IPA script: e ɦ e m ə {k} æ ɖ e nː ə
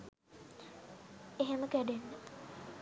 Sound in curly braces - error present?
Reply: no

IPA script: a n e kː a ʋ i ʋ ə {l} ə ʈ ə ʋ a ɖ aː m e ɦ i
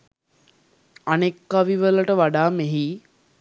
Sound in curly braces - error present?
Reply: no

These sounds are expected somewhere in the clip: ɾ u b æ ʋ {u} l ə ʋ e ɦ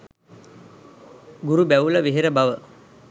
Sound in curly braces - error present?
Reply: no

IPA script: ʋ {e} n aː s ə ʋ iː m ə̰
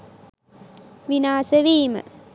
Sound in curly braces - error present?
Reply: yes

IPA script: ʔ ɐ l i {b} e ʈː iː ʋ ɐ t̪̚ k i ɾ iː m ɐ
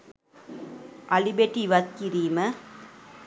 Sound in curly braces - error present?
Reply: no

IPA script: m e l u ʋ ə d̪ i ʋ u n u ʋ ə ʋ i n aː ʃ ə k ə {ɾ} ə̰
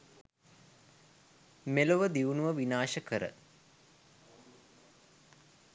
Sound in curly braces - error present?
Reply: no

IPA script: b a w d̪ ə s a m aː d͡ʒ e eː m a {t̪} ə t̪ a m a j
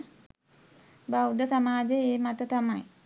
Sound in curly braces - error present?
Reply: no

